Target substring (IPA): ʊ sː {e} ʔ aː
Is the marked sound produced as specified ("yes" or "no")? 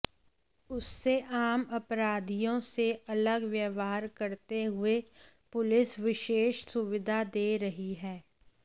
yes